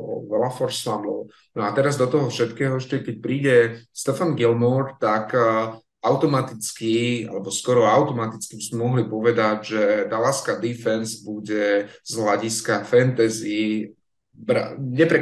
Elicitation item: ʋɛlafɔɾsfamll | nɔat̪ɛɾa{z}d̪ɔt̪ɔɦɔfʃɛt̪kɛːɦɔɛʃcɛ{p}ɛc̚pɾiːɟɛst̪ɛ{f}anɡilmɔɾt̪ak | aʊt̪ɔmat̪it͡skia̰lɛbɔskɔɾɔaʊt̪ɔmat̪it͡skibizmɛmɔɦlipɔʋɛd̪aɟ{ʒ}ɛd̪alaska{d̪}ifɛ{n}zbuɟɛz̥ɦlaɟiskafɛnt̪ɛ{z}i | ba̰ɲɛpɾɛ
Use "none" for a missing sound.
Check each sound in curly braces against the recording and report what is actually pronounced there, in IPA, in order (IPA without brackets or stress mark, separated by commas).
z, k, f, ʒ, d̪, n, z